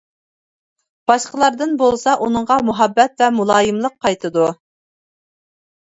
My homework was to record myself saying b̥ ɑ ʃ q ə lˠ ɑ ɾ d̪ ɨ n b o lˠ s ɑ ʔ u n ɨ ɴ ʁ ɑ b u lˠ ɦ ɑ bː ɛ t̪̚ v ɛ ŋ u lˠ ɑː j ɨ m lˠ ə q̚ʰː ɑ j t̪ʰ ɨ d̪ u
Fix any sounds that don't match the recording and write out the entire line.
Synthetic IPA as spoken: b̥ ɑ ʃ q ə lˠ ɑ ɾ d̪ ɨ n b o lˠ s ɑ ʔ u n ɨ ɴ ʁ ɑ m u ɦ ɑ bː ɛ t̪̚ v ɛ m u lˠ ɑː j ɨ m lˠ ə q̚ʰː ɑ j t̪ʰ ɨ d̪ u